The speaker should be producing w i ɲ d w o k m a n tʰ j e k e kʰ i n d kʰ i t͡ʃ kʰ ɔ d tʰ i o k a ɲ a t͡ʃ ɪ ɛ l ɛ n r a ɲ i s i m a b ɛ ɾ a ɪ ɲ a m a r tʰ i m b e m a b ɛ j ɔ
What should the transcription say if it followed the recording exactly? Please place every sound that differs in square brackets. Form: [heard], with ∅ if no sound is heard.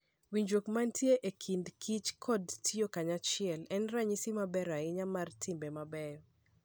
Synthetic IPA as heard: w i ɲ [d͡ʒ] w o k m a n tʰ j e [ʔ] e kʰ i n d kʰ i t͡ʃ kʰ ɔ d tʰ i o k a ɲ a t͡ʃ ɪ ɛ l ɛ n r a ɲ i s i m a b ɛ ɾ a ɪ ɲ a m a r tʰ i m b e m a b ɛ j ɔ